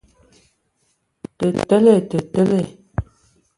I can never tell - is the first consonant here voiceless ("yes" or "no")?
yes